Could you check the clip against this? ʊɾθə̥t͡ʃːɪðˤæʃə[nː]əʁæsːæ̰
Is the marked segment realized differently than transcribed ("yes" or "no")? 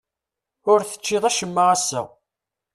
yes